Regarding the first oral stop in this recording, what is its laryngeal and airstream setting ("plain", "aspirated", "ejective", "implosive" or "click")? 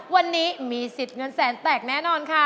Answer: plain